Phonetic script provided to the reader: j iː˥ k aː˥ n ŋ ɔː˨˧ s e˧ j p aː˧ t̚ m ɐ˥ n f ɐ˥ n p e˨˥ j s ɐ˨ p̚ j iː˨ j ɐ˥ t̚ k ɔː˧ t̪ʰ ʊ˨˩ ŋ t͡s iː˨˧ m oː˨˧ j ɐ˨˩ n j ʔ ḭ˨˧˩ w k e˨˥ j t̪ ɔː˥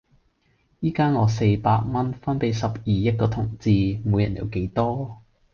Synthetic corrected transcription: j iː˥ k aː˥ n ŋ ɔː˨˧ s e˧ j p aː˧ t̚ m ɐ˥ n f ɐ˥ n p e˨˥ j s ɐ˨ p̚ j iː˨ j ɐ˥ t̚ k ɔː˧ t̪ʰ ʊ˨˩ ŋ t͡s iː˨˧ m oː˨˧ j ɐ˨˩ n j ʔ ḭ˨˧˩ w k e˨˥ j t̪ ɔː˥